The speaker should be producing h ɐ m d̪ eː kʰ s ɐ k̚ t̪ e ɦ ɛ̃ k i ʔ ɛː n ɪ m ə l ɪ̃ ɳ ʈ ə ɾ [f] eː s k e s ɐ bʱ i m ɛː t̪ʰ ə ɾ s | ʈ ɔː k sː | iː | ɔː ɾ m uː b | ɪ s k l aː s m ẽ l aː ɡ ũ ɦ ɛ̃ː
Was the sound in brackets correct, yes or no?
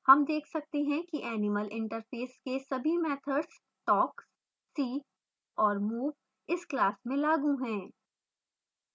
yes